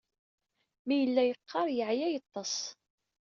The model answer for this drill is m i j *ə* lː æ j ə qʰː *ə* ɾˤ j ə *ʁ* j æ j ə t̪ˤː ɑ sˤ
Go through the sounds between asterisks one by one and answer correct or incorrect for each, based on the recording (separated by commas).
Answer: correct, incorrect, incorrect